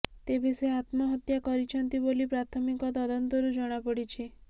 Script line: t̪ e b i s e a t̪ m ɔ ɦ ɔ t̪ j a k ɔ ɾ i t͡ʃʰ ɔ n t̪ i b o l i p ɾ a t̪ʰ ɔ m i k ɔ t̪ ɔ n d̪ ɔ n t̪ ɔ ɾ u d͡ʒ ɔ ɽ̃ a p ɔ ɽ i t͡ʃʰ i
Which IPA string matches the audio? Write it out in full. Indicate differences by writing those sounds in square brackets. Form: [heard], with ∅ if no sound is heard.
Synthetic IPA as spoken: t̪ e b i s e a t̪ m ɔ ɦ ɔ t̪ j a k ɔ ɾ i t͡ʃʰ ɔ n t̪ i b o l i p ɾ a t̪ʰ ɔ m i k ɔ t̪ ɔ [∅] d̪ ɔ n t̪ ɔ ɾ u d͡ʒ ɔ ɽ̃ a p ɔ ɽ i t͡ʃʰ i